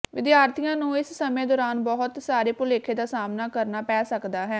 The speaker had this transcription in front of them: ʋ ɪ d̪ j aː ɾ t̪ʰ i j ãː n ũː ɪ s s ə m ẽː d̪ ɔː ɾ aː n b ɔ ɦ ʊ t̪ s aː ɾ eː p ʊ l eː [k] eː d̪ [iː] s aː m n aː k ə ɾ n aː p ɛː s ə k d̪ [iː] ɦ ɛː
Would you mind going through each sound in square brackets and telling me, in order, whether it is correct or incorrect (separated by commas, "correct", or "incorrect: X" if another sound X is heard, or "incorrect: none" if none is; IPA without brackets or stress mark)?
incorrect: kʰ, incorrect: aː, incorrect: aː